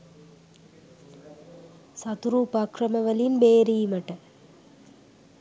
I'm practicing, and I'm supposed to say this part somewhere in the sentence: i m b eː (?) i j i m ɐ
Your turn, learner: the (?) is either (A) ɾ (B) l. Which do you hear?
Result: A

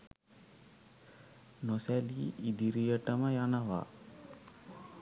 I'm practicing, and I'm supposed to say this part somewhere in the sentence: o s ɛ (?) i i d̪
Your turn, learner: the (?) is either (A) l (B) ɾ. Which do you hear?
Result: A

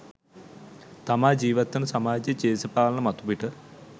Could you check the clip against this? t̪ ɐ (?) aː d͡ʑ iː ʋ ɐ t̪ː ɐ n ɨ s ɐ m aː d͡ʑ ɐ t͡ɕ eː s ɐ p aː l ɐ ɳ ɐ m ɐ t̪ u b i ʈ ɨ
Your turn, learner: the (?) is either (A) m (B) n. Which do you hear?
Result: A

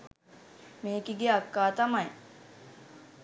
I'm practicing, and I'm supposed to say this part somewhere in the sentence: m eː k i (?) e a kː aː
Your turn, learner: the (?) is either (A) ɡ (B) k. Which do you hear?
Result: A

